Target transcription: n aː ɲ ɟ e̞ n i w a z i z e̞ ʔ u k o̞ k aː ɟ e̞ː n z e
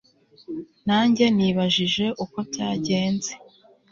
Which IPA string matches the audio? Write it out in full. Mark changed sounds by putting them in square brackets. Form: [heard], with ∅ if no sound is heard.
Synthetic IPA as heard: n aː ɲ ɟ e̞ n i [β] a [ʒ] i [ʒ] e̞ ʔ u k o̞ [t] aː ɟ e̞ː n z e